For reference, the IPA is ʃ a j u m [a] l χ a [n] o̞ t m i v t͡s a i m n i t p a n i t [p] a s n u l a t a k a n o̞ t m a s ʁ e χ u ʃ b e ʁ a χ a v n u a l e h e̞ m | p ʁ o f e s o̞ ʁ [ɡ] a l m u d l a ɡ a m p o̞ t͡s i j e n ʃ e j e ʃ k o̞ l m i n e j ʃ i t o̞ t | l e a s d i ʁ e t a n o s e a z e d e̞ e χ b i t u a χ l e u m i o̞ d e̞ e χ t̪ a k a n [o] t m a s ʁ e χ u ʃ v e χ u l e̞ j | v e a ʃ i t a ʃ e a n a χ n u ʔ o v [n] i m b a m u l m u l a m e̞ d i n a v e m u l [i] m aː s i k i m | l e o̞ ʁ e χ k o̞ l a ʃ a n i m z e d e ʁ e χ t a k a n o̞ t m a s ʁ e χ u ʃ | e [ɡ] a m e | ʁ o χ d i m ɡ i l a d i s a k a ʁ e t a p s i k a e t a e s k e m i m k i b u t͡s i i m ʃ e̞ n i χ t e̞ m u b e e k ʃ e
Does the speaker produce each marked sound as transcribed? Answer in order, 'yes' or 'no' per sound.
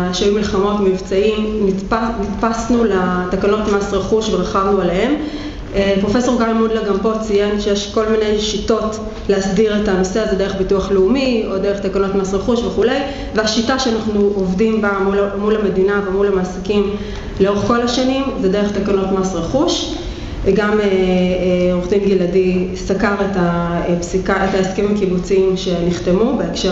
no, no, yes, yes, yes, no, no, yes

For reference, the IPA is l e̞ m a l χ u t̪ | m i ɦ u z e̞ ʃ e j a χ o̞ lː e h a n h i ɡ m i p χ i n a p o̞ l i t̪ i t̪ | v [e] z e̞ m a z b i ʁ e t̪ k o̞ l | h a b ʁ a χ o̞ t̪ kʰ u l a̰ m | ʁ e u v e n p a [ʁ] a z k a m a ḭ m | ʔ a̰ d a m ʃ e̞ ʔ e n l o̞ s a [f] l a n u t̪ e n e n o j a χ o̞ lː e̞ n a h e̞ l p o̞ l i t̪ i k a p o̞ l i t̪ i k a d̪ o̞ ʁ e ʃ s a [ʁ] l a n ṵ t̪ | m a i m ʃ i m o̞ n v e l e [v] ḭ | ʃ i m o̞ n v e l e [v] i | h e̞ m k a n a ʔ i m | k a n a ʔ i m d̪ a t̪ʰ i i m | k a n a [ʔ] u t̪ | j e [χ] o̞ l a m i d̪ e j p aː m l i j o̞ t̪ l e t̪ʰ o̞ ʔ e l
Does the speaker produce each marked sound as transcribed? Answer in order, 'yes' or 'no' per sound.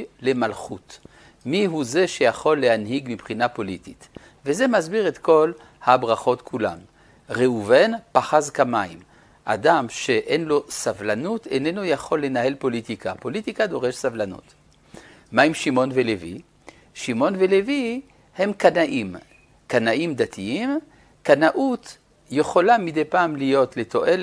yes, no, no, no, yes, yes, yes, yes

